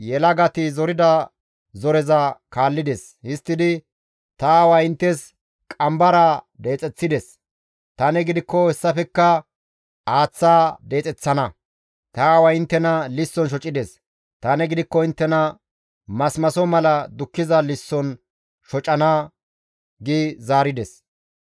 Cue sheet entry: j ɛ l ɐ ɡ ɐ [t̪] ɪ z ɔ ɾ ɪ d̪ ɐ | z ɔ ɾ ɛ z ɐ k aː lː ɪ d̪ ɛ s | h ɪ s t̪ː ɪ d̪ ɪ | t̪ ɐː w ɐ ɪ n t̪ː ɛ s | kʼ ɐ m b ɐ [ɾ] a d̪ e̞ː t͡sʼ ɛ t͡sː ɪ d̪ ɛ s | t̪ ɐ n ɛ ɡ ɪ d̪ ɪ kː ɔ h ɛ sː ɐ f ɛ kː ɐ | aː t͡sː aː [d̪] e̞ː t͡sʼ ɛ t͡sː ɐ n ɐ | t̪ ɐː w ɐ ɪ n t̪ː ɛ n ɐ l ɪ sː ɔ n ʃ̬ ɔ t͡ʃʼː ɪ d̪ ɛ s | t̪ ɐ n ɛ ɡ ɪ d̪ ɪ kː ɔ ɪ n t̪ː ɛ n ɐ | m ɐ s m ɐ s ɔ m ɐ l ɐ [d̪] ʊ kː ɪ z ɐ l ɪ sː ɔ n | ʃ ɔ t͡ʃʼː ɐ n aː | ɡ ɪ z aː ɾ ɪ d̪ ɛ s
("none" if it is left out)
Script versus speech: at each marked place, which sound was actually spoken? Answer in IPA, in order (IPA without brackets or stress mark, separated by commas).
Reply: t̪, ɾ, d̪, d̪